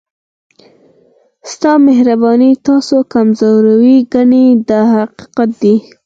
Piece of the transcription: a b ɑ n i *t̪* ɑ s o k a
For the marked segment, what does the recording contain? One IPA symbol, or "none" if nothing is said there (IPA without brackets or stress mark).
t̪